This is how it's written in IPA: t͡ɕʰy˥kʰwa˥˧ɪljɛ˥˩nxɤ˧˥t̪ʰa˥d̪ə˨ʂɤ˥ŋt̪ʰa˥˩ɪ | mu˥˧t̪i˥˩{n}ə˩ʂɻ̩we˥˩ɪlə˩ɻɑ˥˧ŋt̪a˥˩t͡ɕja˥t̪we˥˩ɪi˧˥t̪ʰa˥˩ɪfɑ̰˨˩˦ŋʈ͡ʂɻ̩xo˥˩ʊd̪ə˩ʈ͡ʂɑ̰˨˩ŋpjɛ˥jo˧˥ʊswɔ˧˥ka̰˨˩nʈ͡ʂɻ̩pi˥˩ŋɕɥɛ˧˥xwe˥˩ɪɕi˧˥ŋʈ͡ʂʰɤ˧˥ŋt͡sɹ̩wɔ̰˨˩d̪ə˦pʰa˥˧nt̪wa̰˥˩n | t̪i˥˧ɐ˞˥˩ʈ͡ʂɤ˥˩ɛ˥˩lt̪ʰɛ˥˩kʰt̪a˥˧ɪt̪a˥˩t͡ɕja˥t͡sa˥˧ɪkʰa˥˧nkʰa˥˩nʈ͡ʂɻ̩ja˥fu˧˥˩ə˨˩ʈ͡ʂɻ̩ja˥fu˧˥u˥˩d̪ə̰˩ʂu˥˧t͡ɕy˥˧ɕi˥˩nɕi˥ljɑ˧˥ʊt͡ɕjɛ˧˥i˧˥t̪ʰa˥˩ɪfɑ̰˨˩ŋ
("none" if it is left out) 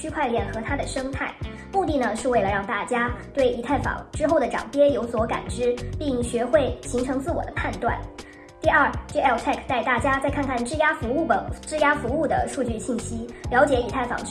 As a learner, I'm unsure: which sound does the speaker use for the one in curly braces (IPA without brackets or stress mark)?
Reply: n